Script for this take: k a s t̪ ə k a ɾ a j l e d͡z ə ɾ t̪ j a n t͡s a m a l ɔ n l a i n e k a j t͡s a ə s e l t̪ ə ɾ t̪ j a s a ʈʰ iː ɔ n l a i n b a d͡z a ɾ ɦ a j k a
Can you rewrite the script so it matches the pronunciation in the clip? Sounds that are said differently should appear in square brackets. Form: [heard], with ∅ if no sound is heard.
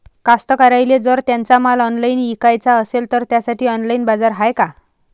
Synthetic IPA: k a s t̪ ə k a ɾ a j l e d͡z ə ɾ t̪ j a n t͡s a m a l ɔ n l a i n [i] k a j t͡s a ə s e l t̪ ə ɾ t̪ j a s a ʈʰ iː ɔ n l a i n b a d͡z a ɾ ɦ a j k a